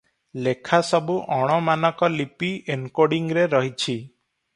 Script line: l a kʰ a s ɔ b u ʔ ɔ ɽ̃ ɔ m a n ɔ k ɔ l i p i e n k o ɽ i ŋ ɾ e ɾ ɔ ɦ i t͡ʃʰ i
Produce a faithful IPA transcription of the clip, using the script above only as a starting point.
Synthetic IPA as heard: l e kʰ a s ɔ b u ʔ ɔ ɽ̃ ɔ m a n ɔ k ɔ l i p i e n k o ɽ i ŋ ɾ e ɾ ɔ ɦ i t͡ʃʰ i